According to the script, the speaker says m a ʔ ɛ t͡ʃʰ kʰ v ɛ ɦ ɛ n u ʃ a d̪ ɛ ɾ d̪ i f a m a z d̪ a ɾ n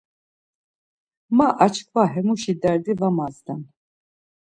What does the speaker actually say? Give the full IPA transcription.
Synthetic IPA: m a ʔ a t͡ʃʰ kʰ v a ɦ ɛ m u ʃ i d̪ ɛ ɾ d̪ i v a m a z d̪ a n